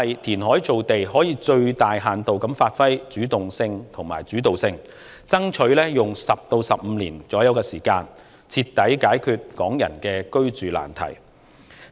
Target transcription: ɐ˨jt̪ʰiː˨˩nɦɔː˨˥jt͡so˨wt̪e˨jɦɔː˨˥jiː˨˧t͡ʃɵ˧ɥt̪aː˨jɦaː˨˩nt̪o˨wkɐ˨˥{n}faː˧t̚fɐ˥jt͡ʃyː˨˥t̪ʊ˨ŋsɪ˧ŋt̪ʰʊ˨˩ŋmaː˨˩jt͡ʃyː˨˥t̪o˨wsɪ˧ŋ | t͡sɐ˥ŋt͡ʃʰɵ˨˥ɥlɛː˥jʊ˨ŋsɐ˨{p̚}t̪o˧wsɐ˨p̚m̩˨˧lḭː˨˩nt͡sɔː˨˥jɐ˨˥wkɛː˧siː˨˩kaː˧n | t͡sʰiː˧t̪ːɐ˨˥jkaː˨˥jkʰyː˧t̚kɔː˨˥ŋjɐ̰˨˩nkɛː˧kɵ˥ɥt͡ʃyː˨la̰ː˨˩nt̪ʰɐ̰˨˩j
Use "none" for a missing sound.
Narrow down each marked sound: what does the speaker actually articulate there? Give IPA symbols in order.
m, p̚

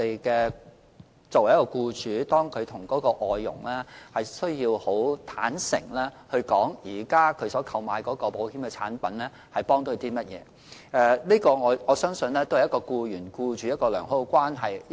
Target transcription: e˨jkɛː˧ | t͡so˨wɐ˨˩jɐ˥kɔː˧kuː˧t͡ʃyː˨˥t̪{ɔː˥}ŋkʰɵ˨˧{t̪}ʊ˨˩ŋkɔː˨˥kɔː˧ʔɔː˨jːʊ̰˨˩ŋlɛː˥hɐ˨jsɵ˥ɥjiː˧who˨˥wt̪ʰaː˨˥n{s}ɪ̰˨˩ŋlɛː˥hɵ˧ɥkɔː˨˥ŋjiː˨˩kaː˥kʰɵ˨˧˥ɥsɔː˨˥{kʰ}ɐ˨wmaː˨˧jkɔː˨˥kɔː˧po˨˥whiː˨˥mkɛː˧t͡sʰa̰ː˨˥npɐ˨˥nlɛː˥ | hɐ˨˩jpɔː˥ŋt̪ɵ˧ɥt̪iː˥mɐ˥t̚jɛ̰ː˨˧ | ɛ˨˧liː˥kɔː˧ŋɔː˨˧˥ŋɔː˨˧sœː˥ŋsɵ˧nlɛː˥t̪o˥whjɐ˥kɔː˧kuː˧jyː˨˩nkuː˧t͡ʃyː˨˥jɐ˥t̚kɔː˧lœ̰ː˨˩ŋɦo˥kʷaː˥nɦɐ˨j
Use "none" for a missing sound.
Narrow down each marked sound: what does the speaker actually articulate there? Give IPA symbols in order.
ɔː˥, t̪ʰ, s, kʰ

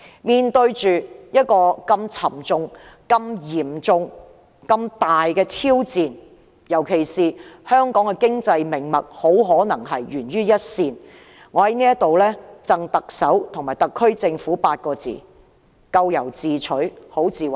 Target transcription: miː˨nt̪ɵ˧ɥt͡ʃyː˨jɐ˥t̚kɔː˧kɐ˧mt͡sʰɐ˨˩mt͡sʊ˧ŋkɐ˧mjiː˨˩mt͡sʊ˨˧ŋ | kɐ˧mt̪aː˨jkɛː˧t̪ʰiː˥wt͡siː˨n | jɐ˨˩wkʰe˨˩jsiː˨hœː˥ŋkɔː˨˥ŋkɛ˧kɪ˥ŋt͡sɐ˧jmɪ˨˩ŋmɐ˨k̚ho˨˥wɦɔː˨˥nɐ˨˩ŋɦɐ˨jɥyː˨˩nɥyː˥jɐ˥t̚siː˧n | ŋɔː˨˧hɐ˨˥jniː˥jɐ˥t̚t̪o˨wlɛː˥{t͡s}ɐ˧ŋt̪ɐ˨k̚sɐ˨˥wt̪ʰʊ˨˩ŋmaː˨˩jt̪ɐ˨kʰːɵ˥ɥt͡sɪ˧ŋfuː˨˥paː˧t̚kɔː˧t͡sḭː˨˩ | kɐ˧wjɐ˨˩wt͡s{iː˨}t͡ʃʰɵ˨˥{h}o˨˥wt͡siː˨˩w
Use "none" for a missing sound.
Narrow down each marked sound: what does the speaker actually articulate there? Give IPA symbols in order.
t͡s, iː˨, h

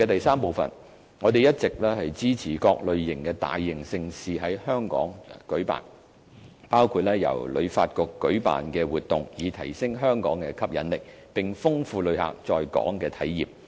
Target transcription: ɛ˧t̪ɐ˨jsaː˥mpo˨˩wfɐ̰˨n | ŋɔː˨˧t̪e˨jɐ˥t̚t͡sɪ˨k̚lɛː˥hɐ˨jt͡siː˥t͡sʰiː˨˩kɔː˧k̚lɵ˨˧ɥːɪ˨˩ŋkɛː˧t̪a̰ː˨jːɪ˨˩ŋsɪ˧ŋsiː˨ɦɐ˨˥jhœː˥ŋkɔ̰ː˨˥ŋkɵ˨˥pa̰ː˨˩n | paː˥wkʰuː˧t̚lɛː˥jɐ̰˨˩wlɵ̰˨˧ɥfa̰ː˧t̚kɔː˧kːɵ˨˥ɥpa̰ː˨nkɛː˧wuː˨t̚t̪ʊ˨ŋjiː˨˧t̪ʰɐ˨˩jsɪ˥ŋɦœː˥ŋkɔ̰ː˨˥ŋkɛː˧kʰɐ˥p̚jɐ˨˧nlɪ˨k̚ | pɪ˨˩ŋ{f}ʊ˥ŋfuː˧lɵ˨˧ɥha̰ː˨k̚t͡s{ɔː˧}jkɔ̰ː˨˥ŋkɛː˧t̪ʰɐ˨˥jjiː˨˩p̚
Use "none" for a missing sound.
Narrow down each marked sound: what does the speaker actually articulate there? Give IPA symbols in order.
f, ɔː˧

